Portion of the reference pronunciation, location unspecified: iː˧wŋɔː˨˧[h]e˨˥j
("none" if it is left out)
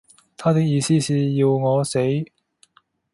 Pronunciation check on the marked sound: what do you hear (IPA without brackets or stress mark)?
s